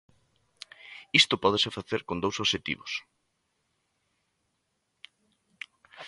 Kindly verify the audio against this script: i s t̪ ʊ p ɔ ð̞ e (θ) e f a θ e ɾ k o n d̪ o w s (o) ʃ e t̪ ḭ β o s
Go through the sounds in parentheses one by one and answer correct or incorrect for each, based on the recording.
incorrect: s, correct

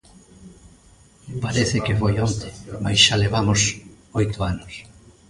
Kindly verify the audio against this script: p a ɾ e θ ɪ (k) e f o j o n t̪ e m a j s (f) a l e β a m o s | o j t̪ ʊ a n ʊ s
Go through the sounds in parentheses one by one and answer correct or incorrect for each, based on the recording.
correct, incorrect: ʃ

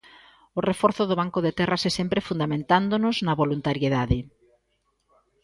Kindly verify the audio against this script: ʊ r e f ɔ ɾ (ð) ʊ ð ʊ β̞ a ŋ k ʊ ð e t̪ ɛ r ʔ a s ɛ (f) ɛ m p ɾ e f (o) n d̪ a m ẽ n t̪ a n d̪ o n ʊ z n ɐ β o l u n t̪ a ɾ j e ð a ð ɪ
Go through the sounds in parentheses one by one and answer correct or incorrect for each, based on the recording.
incorrect: θ, incorrect: s, incorrect: u

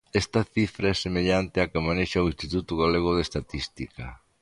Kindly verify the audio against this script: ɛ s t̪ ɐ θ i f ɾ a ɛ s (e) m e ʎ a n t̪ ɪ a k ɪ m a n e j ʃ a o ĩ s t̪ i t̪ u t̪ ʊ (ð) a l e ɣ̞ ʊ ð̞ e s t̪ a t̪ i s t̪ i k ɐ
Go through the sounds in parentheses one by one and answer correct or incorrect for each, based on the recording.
correct, incorrect: ɣ

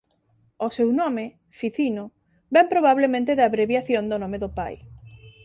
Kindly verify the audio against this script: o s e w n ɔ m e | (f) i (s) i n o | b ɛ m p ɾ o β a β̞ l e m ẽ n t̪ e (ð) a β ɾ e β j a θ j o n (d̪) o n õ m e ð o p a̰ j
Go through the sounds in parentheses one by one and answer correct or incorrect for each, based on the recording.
correct, incorrect: θ, correct, correct

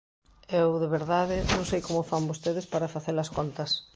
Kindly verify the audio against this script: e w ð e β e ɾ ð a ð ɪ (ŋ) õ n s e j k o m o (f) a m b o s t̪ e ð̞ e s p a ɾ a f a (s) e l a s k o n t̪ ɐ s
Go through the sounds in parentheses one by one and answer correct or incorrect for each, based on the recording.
incorrect: n, correct, incorrect: θ

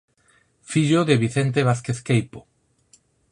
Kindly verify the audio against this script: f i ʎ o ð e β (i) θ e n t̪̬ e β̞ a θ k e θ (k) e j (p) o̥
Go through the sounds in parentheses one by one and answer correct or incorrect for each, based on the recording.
correct, correct, correct

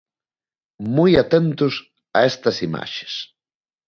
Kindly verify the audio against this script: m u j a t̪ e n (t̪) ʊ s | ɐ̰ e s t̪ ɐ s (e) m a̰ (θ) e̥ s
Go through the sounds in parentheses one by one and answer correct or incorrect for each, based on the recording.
correct, incorrect: i, incorrect: ʃ

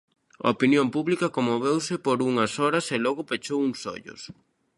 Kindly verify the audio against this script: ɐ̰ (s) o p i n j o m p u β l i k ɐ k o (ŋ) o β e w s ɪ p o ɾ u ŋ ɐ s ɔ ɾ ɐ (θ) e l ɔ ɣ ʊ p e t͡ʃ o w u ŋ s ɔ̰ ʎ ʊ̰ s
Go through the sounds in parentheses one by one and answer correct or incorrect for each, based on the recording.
incorrect: none, incorrect: m, incorrect: s

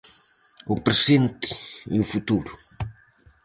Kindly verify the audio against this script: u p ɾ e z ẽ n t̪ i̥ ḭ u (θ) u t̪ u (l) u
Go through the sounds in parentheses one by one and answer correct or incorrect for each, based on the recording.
incorrect: f, incorrect: ɾ

